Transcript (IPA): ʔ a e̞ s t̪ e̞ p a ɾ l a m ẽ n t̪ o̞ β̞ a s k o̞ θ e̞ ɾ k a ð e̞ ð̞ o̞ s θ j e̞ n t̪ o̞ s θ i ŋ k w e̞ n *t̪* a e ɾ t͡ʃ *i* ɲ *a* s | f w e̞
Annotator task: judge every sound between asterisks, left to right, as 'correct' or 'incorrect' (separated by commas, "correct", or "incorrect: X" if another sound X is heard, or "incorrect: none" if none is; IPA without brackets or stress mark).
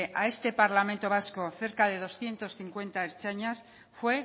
correct, incorrect: a, correct